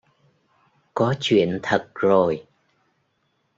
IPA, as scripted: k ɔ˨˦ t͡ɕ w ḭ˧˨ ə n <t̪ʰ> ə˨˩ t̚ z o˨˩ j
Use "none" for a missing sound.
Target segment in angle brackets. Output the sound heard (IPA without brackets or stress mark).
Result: t̪ʰ